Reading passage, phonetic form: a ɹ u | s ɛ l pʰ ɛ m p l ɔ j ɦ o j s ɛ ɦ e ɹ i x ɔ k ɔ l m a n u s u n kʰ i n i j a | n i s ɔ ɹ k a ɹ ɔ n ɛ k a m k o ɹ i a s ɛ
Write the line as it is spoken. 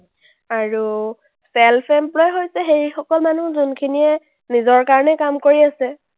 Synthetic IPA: a ɹ u | s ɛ l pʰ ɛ m p l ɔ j ɦ o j s ɛ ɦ e ɹ i x ɔ k ɔ l m a n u z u n kʰ i n i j ɛ | n i z ɔ ɹ k a ɹ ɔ n ɛ k a m k o ɹ i a s ɛ